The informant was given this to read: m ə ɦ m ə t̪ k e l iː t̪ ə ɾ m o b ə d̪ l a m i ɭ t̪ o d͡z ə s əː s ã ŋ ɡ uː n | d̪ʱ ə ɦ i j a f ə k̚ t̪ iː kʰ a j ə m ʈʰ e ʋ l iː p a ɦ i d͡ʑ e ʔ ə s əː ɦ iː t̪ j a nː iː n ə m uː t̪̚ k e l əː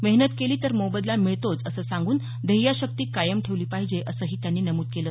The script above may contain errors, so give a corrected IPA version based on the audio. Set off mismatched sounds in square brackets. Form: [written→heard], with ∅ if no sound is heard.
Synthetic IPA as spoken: m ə ɦ [m→n] ə t̪ k e l iː t̪ ə ɾ m o b ə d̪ l a m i ɭ t̪ o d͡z ə s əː s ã ŋ ɡ uː n | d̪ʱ ə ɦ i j a [f→ɕ] ə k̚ t̪ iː [kʰ→k] a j ə m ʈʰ e ʋ l iː p a ɦ i d͡ʑ e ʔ ə s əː ɦ iː t̪ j a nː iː n ə m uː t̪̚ k e l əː